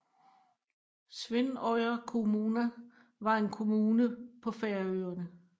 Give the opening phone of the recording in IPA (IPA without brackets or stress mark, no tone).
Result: s